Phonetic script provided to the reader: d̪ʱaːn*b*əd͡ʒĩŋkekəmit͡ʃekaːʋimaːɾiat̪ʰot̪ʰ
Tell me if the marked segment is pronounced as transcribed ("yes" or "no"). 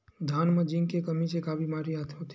no